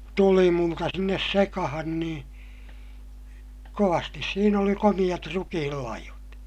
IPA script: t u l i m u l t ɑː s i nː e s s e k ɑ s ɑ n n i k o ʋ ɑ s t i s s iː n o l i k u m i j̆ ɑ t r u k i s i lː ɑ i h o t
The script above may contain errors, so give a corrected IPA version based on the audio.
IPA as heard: t u l i m u l t ɑ s i nː e s s e k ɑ h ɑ n n iː k o ʋ ɑ s t i s s iː n o l i k o m i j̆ ɑ t r u k i h i lː ɑ i h o t